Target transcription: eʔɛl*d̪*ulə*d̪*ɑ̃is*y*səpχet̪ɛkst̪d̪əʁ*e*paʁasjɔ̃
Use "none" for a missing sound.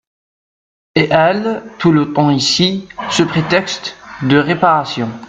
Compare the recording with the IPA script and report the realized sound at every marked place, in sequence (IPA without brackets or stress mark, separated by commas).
t̪, t̪, i, e